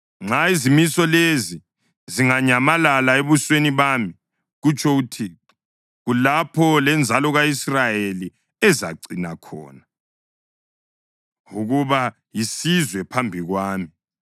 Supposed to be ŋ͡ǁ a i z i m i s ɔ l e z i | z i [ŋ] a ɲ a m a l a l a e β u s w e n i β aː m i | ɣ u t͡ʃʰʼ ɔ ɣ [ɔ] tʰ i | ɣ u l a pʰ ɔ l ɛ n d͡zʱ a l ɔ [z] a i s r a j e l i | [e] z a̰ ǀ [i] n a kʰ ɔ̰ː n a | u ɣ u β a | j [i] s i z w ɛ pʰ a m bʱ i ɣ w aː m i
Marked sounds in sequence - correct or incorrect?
correct, incorrect: u, incorrect: ɣ, incorrect: ɛ, correct, correct

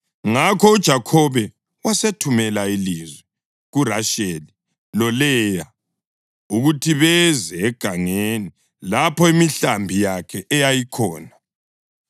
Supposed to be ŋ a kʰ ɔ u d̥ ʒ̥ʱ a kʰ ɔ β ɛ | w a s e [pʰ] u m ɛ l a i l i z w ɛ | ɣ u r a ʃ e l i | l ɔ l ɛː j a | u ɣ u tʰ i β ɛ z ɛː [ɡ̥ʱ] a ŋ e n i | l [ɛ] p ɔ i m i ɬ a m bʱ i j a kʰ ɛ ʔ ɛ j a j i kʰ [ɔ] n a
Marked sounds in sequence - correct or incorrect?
incorrect: tʰ, correct, incorrect: a, incorrect: ɔː

